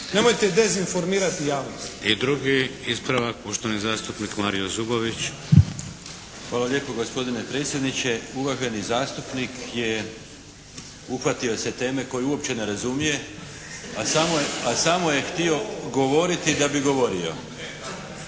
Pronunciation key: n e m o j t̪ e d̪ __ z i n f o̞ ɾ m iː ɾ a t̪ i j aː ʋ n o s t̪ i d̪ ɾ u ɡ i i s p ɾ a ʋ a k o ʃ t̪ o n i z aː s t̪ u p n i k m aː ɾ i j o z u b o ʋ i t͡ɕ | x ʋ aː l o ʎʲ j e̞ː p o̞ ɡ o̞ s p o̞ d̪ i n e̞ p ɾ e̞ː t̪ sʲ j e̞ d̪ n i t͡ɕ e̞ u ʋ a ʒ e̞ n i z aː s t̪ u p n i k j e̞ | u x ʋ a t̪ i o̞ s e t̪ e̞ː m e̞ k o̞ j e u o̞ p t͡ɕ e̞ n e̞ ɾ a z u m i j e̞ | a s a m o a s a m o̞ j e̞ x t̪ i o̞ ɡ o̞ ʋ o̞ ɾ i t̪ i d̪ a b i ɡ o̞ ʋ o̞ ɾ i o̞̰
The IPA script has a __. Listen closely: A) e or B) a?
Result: A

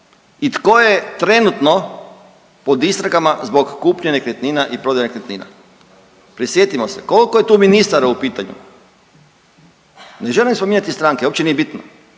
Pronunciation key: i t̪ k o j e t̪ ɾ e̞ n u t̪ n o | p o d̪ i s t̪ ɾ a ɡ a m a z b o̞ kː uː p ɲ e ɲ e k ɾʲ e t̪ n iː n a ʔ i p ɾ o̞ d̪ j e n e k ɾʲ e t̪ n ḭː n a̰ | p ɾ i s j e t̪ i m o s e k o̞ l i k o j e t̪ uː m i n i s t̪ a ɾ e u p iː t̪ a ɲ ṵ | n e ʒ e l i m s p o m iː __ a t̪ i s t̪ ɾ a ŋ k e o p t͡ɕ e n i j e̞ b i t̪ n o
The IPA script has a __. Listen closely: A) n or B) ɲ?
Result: B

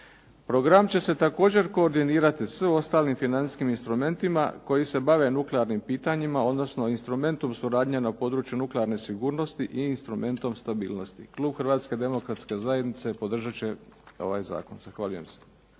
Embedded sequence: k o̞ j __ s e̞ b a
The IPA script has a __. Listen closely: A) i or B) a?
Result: A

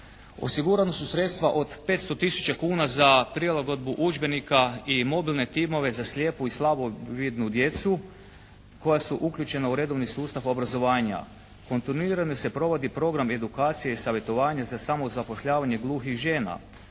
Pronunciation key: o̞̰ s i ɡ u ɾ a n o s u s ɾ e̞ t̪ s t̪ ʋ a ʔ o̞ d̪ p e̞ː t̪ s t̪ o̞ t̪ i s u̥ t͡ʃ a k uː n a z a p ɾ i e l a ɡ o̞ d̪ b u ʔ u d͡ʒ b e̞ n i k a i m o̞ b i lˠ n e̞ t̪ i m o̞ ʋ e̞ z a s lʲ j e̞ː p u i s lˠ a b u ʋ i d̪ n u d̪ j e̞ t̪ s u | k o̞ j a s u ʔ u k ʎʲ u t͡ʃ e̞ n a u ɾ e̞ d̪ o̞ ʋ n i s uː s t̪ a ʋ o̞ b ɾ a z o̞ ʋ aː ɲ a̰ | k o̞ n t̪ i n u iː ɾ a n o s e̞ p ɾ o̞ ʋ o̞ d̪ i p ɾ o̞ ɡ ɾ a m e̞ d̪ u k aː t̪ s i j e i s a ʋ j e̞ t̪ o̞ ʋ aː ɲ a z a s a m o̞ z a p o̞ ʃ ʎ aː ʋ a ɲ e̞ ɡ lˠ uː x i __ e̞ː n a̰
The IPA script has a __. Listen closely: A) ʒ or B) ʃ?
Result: A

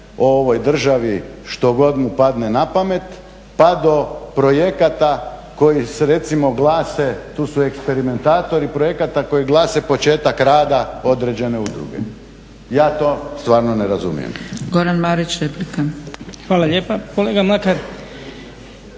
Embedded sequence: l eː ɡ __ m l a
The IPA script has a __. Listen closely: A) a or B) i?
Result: A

